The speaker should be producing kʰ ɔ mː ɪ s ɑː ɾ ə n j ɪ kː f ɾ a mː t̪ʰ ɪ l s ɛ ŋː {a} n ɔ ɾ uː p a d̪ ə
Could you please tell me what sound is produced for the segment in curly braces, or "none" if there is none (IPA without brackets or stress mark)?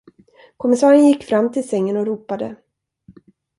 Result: ə